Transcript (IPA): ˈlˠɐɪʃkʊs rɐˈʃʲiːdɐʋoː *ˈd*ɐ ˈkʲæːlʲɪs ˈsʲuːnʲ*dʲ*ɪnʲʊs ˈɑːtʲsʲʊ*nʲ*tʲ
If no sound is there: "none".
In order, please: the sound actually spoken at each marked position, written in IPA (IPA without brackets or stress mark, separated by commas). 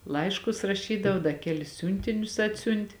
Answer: d, tʲ, nʲ